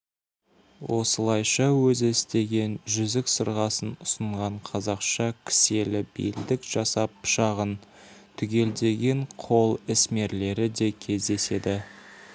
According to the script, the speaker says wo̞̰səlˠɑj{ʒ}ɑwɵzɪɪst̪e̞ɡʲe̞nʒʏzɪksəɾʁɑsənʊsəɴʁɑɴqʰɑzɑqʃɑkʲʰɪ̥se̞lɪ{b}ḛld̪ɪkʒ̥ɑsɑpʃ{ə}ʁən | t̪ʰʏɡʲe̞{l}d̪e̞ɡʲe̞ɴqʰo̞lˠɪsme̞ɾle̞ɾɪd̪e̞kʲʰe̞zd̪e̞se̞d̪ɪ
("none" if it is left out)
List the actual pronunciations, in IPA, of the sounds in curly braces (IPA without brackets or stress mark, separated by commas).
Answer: ʃ, b, ɑ, l